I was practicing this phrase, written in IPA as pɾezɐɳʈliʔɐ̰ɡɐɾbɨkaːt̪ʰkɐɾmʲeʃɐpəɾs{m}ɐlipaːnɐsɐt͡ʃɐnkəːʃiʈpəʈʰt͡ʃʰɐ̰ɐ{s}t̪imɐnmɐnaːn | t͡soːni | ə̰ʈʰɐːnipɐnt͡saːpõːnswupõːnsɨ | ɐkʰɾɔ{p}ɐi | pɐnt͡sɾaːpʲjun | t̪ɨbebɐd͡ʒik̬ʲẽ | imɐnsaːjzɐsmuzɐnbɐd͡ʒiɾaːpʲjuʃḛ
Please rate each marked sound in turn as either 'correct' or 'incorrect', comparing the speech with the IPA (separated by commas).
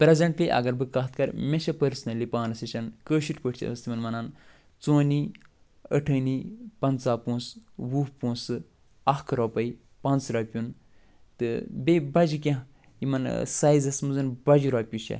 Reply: incorrect, correct, correct